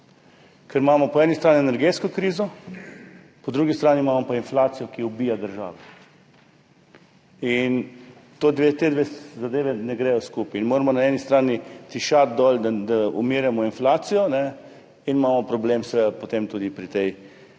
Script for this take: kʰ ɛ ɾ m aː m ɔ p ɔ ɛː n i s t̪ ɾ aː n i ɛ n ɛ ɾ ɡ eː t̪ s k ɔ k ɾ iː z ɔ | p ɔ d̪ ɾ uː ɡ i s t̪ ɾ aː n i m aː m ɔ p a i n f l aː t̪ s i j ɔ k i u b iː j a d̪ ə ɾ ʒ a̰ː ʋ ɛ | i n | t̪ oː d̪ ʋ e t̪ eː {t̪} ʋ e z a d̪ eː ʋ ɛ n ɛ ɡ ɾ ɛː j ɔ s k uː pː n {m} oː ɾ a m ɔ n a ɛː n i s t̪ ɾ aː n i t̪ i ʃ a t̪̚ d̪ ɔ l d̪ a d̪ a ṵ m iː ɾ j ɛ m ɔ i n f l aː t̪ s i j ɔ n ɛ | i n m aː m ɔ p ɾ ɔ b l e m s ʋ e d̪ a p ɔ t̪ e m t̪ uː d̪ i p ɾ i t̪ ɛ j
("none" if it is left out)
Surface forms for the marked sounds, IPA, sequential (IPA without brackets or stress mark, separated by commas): d̪, m